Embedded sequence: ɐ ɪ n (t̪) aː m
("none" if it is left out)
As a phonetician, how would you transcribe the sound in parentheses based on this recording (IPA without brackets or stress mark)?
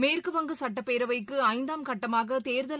d̪